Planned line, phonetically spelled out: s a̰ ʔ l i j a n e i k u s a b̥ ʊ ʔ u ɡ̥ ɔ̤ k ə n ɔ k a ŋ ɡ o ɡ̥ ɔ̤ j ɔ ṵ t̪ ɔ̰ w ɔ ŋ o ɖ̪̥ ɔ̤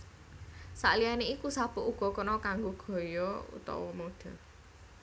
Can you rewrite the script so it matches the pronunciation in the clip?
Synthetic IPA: s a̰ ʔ l i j a n e i k u s a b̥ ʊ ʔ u ɡ̥ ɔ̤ k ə n ɔ k a ŋ ɡ o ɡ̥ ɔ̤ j ɔ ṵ t̪ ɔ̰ w ɔ m o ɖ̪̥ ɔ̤